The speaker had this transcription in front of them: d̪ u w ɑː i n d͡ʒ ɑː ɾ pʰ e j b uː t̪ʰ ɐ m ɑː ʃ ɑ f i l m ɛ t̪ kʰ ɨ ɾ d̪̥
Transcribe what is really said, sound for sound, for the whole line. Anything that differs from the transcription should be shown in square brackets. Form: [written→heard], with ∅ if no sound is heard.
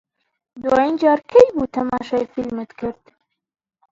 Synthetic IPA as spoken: d̪ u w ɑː i n d͡ʒ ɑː ɾ [pʰ→kʰ] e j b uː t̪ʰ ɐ m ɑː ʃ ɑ f i l m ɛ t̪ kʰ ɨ ɾ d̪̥